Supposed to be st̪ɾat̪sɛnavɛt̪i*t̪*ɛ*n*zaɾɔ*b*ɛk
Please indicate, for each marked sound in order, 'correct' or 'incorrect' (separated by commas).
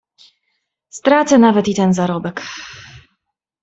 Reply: correct, correct, correct